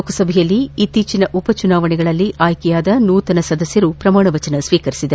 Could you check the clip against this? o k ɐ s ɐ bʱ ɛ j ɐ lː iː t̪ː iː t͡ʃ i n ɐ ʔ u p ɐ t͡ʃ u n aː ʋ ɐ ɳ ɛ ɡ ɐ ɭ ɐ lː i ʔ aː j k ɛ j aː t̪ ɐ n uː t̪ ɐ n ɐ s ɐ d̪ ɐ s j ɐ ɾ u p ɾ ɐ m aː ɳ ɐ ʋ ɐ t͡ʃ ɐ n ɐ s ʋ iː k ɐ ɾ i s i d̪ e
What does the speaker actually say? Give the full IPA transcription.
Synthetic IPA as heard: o k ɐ s ɐ bʱ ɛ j ɐ lː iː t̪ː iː t͡ʃ i n ɐ ʔ u p ɐ t͡ʃ u n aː ʋ ɐ ɳ ɛ ɡ ɐ ɭ ɐ lː i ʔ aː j k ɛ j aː d̪ ɐ n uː t̪ ɐ n ɐ s ɐ d̪ ɐ s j ɐ ɾ u p ɾ ɐ m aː ɳ ɐ ʋ ɐ t͡ʃ ɐ n ɐ s ʋ iː k ɐ ɾ i s i d̪ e